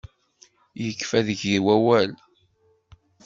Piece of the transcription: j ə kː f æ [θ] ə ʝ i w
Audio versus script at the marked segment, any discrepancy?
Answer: yes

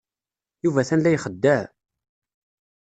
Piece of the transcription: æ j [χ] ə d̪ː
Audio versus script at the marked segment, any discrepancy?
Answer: no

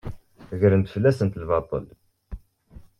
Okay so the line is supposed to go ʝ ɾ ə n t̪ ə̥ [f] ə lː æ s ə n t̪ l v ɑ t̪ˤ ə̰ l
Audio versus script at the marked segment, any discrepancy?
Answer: no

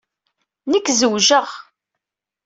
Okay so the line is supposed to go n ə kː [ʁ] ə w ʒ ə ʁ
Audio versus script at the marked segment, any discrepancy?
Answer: yes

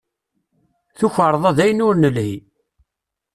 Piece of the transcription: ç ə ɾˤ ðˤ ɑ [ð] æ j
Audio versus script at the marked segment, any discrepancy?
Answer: no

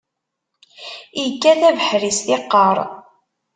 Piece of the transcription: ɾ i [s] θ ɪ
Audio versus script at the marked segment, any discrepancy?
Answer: no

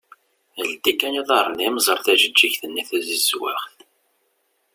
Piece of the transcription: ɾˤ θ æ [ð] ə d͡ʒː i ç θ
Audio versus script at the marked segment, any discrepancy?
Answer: yes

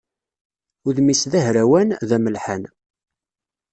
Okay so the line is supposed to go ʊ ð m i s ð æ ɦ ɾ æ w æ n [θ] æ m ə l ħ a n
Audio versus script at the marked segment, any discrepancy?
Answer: yes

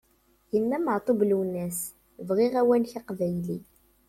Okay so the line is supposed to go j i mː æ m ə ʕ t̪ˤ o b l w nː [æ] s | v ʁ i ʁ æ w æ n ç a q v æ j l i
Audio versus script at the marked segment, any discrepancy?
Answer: no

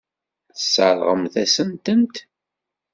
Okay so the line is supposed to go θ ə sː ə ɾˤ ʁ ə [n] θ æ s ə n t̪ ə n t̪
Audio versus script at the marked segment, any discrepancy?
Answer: yes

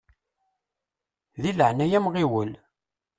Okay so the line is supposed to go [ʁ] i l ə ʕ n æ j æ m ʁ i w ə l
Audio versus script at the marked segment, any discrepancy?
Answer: yes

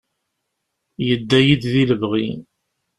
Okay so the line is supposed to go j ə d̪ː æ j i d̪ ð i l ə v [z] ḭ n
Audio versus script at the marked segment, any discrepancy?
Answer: yes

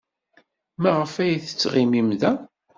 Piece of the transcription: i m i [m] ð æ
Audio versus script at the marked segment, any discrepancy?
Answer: no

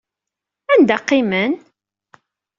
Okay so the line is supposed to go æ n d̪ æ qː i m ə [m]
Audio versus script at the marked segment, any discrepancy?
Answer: yes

